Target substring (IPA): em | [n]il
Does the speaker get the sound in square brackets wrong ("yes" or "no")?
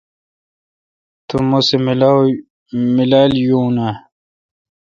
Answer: yes